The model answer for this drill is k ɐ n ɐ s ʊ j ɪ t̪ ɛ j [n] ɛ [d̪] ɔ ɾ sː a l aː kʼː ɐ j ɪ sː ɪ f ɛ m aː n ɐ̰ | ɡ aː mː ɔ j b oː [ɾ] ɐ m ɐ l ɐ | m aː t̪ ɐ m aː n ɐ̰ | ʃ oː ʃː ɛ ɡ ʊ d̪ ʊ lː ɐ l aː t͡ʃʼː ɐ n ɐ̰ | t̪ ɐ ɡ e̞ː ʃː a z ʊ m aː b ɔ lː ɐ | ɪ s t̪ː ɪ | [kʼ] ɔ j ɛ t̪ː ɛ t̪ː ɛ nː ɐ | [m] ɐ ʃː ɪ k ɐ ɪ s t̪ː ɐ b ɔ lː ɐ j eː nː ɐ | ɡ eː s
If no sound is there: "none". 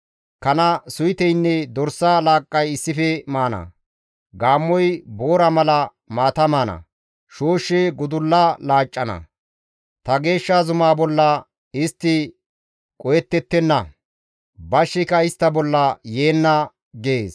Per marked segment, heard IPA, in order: nː, d̪, ɾ, kʼ, b

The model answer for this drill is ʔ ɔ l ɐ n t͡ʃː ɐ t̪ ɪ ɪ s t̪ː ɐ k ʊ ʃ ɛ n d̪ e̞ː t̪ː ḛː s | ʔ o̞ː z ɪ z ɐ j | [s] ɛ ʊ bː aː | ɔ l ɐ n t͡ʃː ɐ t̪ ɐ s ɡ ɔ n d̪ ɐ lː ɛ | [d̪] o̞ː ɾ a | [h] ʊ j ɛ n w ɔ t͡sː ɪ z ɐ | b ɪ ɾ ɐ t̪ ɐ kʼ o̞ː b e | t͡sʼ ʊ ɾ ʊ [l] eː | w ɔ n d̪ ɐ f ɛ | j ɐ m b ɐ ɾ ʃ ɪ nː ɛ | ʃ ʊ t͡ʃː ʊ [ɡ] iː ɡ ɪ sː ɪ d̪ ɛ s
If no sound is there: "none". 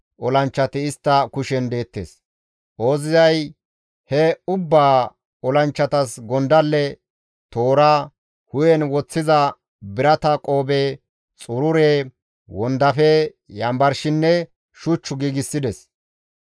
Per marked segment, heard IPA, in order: h, t̪, h, ɾ, ɡ

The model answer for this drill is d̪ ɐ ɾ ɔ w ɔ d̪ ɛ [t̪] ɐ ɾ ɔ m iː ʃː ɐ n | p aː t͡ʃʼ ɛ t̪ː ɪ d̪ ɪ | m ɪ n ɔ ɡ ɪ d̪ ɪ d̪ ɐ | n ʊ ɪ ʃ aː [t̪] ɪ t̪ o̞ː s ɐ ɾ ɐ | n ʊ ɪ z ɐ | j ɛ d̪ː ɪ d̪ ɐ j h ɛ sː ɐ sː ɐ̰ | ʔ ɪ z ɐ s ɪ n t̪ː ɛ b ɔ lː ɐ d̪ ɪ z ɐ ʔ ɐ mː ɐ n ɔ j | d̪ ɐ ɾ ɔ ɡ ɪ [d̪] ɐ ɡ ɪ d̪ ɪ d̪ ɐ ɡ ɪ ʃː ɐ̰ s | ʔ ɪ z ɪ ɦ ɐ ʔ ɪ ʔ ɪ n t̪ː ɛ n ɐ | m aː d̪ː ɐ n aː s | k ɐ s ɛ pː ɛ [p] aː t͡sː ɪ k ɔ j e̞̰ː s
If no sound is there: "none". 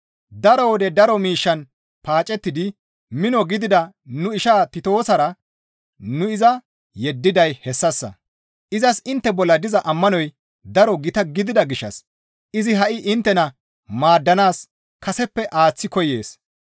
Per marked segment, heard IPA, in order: d̪, t̪, t̪, ʔ

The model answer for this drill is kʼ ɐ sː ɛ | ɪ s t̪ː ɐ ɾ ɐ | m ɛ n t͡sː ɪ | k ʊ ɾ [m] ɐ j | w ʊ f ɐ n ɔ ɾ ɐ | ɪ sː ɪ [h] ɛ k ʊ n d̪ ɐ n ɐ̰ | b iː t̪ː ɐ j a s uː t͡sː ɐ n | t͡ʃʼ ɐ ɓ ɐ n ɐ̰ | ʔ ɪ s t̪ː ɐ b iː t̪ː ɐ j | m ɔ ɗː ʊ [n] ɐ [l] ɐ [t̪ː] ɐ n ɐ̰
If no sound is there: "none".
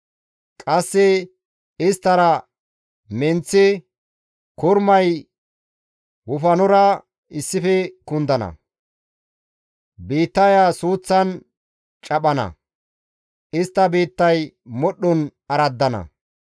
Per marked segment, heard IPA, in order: m, f, n, ɾ, d̪ː

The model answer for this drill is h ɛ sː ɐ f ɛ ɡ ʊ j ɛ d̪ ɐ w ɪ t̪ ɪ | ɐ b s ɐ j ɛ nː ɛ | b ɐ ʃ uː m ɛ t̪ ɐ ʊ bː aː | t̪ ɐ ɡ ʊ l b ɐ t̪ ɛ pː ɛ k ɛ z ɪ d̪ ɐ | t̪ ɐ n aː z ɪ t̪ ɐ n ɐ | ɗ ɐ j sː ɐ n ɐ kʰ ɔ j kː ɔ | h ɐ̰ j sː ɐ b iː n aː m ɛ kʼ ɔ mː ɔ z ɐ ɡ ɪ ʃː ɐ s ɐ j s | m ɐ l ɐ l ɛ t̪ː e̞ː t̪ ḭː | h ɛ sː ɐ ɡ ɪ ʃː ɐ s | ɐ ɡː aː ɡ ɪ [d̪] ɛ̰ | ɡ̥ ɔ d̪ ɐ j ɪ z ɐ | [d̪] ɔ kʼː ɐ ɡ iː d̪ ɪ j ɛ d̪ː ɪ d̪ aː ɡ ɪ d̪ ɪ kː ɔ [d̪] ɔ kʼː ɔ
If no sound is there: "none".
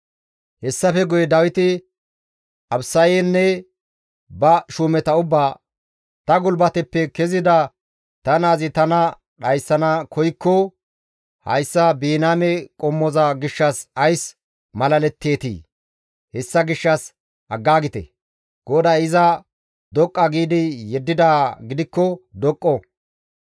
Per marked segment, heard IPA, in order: t̪, d̪, d̪

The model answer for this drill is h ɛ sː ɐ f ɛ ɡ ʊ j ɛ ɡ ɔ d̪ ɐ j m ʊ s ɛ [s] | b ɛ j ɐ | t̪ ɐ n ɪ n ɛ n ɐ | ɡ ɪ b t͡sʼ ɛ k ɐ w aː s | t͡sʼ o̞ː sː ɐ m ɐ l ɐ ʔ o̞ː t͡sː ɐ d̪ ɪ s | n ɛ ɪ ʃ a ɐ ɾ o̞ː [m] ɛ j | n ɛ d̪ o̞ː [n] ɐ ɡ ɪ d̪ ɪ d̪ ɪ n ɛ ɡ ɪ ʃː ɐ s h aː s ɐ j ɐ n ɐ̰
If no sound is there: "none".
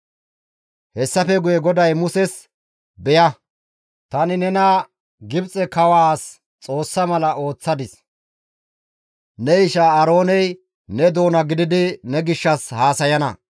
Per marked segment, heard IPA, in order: s, n, n

